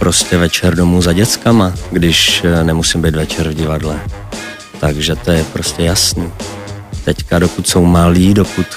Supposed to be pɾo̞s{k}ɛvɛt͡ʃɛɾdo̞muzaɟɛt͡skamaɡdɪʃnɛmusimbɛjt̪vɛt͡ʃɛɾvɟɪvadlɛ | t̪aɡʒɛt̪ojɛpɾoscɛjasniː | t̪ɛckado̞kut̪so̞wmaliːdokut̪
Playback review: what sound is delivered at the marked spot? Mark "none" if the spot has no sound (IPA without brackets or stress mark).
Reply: c